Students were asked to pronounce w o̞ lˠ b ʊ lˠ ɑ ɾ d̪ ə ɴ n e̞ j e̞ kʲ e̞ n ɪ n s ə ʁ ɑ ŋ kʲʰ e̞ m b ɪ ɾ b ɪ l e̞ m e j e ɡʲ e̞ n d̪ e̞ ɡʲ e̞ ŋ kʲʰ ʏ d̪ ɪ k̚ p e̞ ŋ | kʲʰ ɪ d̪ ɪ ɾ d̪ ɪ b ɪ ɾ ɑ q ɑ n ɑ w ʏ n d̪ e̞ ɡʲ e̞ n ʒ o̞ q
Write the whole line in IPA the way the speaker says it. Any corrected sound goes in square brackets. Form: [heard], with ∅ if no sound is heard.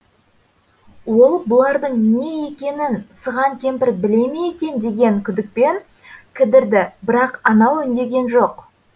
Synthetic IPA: w o̞ lˠ b ʊ lˠ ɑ ɾ d̪ ə ɴ n e̞ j e̞ kʲ e̞ n ɪ n s ə ʁ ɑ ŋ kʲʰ e̞ m [p] ɪ ɾ b ɪ l e̞ m e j e [kʲ] e̞ n d̪ e̞ ɡʲ e̞ ŋ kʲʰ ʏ d̪ ɪ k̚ p e̞ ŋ | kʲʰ ɪ d̪ ɪ ɾ d̪ ɪ b ɪ ɾ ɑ q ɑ n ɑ w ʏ n d̪ e̞ ɡʲ e̞ n ʒ o̞ q